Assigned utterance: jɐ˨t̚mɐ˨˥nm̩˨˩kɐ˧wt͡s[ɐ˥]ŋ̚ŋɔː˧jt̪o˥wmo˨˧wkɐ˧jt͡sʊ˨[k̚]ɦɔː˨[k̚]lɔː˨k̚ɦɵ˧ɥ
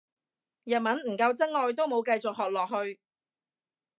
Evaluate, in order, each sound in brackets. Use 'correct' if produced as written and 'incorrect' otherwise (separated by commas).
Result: correct, correct, correct